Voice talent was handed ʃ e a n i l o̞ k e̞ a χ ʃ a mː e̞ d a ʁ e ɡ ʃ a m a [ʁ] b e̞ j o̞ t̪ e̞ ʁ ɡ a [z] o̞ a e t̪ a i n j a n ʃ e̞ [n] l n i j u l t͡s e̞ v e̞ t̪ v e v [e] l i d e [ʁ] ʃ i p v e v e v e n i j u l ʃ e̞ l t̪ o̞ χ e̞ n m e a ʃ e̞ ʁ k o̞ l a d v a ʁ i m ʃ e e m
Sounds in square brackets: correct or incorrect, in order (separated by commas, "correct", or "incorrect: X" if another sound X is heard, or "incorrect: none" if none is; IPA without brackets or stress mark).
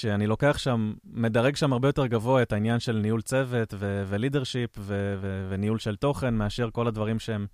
correct, incorrect: v, incorrect: none, correct, correct